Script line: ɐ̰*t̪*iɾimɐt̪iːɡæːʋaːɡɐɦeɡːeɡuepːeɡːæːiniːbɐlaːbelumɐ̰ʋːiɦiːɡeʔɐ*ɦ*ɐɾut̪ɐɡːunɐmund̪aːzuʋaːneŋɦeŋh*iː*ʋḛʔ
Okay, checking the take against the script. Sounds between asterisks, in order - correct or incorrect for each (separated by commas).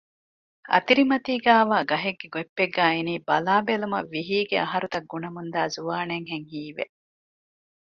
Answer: correct, correct, correct